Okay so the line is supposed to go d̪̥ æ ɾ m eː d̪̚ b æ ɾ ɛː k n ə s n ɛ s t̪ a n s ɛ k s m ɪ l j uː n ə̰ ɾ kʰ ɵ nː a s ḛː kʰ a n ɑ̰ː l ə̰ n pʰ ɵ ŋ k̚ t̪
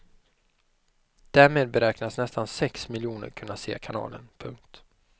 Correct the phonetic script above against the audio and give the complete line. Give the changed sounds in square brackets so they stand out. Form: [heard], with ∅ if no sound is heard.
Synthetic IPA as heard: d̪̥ æ ɾ m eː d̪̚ b [ɛ] ɾ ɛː k n [a] s n ɛ s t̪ a n s ɛ k s m ɪ l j uː n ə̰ ɾ kʰ ɵ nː a s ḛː kʰ a n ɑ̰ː l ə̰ n pʰ ɵ ŋ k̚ t̪